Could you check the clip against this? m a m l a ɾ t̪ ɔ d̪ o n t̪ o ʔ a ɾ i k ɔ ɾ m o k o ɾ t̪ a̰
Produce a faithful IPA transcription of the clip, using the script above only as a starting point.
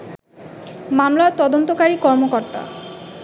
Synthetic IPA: m a m l a ɾ t̪ ɔ d̪ o n t̪ o k a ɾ i k ɔ ɾ m o k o ɾ t̪ a̰